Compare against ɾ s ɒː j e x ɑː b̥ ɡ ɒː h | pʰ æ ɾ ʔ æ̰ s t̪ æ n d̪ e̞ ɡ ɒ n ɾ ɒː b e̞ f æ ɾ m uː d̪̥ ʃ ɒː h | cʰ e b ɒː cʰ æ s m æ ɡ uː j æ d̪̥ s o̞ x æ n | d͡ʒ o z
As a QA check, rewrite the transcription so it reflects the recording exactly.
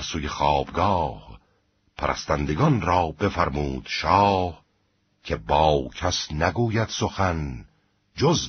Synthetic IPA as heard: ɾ s uː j e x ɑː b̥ ɡ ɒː h | pʰ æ ɾ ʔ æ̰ s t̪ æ n d̪ e̞ ɡ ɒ n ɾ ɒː b e̞ f æ ɾ m uː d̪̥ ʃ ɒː h | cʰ e b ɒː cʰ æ s n æ ɡ uː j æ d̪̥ s o̞ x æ n | d͡ʒ o z